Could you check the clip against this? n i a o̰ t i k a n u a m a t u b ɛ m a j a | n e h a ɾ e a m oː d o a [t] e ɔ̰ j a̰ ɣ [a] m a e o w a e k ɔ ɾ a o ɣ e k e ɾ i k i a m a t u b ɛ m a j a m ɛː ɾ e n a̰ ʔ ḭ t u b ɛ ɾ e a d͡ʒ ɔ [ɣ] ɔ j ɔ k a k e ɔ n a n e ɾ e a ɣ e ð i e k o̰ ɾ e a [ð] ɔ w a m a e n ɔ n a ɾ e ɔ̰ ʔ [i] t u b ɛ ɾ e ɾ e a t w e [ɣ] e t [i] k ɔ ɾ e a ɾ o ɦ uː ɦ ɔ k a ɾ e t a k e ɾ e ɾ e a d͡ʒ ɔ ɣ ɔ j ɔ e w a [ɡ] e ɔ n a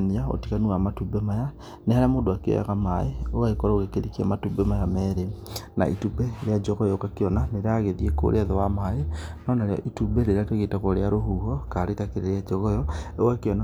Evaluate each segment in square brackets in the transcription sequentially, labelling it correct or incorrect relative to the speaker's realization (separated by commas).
incorrect, correct, correct, correct, correct, correct, incorrect, incorrect